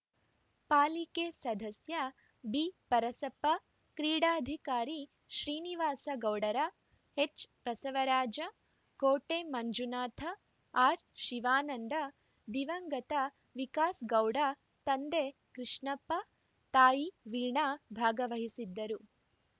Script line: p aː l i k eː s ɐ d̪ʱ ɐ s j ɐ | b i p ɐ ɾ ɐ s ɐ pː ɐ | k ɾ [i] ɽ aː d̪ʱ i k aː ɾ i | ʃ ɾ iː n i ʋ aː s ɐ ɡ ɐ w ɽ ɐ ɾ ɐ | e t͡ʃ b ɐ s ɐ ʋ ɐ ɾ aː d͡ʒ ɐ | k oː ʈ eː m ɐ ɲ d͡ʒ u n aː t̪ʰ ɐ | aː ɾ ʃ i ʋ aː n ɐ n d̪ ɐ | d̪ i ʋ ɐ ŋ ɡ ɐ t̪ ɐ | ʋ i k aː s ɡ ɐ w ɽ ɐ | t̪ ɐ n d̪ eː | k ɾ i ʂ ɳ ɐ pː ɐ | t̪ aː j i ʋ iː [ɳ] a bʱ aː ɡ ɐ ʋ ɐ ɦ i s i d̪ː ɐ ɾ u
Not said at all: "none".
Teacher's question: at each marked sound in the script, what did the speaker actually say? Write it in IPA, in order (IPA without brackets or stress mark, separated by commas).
iː, ɳ